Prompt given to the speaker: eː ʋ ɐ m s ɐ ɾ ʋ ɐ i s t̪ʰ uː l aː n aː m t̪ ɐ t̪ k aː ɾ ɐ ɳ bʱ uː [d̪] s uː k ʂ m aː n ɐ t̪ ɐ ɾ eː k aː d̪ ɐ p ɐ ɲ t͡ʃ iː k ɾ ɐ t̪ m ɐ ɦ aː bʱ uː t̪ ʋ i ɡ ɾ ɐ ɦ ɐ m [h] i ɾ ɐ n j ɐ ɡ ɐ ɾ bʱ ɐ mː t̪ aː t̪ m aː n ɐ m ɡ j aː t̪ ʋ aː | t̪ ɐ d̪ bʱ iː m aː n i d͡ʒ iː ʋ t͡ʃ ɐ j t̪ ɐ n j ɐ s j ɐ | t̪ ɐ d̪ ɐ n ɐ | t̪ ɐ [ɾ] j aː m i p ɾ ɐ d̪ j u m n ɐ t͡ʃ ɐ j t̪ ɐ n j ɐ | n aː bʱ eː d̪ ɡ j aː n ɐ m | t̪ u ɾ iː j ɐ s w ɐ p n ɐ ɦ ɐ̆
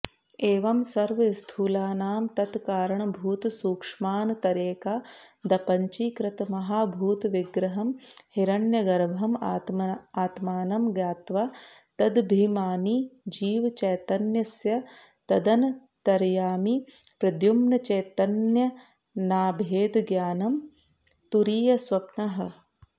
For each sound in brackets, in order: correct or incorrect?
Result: incorrect: t̪, correct, correct

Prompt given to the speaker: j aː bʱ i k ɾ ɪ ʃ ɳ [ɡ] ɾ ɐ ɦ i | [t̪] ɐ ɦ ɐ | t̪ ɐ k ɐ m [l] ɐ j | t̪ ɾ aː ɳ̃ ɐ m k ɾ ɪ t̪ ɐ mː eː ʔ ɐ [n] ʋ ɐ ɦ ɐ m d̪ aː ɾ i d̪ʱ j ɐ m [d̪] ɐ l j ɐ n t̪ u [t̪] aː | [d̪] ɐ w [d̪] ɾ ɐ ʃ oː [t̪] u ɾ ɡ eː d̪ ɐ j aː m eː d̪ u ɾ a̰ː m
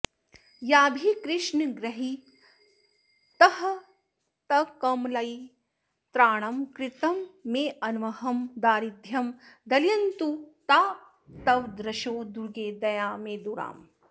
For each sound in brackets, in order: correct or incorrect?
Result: correct, correct, correct, correct, correct, correct, incorrect: t̪, correct, incorrect: d̪

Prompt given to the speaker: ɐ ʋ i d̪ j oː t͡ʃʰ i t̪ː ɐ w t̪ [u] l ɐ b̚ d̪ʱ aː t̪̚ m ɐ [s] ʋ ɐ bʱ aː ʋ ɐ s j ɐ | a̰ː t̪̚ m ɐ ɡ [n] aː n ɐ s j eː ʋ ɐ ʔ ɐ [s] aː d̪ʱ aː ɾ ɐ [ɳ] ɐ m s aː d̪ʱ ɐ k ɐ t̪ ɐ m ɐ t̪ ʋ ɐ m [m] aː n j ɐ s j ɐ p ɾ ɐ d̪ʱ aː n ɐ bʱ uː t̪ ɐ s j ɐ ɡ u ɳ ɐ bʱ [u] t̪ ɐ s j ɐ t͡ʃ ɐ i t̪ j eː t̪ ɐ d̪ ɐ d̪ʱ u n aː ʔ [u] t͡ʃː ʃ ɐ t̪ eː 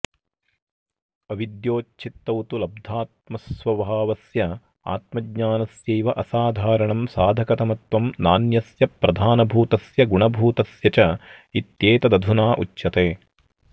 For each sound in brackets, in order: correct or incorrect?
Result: correct, correct, incorrect: ɲ, correct, correct, incorrect: n, incorrect: uː, correct

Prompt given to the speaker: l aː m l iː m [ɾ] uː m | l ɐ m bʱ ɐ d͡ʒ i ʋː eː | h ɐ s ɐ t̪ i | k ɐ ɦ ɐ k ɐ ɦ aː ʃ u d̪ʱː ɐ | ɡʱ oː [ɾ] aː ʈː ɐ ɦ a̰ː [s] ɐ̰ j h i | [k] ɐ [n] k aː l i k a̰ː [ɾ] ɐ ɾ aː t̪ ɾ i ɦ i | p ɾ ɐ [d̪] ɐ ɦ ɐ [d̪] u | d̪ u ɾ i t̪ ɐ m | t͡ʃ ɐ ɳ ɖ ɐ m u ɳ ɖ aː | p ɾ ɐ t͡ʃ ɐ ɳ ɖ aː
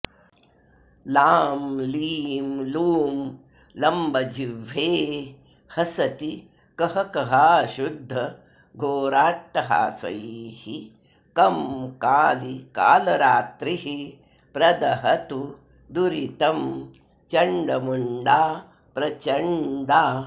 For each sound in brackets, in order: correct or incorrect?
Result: incorrect: l, correct, correct, correct, incorrect: m, incorrect: l, correct, incorrect: t̪

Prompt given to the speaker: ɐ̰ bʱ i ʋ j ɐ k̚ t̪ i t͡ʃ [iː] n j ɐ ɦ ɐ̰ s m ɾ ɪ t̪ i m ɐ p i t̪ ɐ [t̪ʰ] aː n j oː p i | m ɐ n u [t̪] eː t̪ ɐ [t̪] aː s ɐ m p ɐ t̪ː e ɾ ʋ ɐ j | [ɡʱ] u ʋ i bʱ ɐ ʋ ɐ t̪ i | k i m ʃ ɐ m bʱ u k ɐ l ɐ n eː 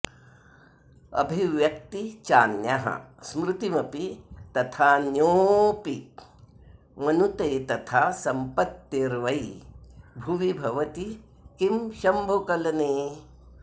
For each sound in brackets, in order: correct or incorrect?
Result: incorrect: aː, correct, correct, incorrect: t̪ʰ, incorrect: bʱ

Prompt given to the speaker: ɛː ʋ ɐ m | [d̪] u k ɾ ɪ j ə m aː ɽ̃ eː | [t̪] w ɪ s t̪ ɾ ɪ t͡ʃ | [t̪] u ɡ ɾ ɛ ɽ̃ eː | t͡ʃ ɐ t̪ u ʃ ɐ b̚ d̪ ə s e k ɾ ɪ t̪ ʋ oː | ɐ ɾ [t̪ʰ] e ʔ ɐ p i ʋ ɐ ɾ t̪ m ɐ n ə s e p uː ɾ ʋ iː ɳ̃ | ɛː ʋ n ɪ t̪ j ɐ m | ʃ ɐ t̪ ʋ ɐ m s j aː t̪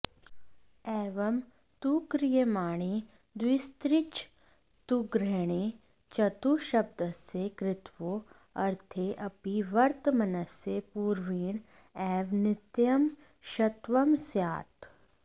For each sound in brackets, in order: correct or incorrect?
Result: incorrect: t̪, incorrect: d̪, correct, correct

